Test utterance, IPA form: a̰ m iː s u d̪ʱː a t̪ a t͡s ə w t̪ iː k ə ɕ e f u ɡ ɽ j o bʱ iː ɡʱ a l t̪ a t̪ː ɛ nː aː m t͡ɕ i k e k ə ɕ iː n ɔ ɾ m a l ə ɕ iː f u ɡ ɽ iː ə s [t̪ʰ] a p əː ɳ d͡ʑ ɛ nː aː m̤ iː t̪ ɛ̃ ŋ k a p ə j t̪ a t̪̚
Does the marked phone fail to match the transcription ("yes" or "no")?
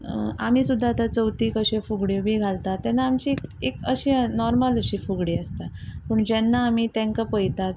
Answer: yes